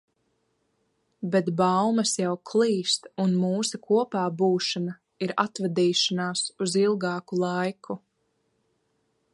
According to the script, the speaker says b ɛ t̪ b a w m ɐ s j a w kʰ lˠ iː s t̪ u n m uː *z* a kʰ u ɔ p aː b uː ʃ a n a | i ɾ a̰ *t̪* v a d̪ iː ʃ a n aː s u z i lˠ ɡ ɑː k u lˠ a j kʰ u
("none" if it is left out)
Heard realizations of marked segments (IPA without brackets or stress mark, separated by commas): s, t̪